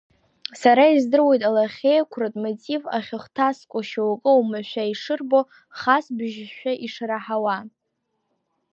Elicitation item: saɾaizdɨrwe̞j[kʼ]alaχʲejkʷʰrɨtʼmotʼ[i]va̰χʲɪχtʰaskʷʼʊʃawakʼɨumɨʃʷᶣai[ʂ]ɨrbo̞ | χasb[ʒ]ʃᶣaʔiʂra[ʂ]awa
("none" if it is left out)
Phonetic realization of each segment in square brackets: tʼ, i, ʂ, ʒ, ħ

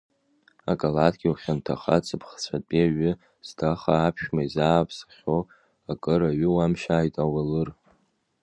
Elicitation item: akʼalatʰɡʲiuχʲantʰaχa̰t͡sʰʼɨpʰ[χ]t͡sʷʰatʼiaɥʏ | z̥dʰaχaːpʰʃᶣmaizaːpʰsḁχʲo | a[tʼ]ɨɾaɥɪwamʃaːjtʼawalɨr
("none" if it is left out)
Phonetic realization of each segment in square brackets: χ, kʼ

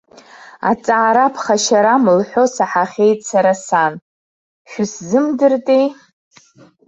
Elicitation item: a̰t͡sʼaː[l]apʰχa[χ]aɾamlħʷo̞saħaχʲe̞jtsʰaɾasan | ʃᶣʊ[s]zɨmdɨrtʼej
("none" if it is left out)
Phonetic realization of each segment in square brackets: ɾ, ʃ, s

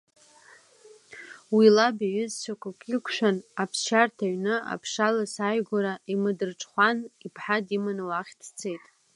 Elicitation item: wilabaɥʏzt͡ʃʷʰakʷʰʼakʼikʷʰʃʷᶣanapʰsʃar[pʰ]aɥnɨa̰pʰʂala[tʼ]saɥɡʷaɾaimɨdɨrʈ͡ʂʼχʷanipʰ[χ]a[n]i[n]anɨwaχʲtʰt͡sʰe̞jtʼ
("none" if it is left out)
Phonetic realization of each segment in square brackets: tʰ, none, ħ, d, m

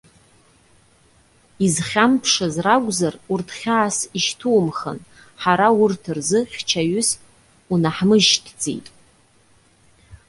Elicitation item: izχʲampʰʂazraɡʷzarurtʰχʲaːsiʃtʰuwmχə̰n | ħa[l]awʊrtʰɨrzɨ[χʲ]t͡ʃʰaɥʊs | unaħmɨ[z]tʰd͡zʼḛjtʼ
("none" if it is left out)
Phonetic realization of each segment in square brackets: ɾ, χʲ, ʒ

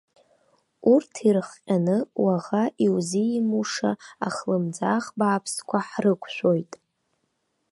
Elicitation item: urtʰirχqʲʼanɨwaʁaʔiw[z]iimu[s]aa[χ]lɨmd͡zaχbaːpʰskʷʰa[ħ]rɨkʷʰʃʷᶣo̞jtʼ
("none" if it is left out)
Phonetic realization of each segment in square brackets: z, ʂ, χ, ħ

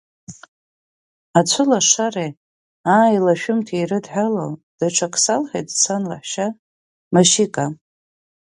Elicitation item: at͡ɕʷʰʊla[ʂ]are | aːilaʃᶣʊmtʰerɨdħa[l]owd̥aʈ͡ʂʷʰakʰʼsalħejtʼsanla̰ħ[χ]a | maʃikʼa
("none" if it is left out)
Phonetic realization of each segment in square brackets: ʂ, l, ʃ

